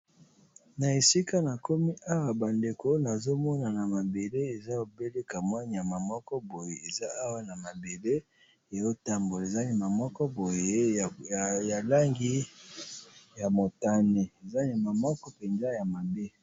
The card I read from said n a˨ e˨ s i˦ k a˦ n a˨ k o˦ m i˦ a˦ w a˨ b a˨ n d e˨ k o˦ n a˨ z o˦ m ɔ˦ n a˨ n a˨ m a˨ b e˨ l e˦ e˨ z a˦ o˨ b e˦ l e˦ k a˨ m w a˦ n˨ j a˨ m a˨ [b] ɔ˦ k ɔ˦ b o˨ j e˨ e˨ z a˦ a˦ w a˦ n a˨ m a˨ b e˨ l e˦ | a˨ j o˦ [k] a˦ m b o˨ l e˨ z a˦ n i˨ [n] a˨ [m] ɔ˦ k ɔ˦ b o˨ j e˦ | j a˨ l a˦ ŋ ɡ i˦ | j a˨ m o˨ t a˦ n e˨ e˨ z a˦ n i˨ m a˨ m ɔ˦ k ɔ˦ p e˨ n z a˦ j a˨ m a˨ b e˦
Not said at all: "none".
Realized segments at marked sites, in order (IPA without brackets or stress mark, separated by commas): m, t, m, m